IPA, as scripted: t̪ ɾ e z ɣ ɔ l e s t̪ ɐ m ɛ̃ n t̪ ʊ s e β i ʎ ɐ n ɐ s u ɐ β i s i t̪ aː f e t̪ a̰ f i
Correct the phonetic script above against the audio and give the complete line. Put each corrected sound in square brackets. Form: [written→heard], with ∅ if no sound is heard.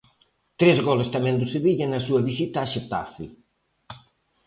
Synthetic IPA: t̪ ɾ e z ɣ ɔ l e s t̪ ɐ m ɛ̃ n [t̪→d̪] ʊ s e β i ʎ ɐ n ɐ s u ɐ β i s i t̪ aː [f→ʃ] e t̪ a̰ f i